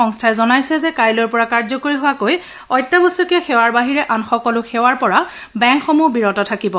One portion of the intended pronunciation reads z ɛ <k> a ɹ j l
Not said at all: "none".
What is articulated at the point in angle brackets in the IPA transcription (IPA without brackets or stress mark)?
k